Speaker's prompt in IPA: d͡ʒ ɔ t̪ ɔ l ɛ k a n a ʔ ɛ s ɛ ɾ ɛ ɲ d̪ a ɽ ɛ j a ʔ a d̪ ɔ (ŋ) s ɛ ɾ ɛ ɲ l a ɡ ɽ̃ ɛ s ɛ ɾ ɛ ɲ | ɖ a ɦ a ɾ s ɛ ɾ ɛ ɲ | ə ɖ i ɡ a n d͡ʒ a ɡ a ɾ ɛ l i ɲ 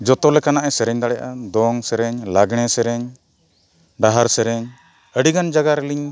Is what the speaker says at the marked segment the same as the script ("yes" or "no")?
yes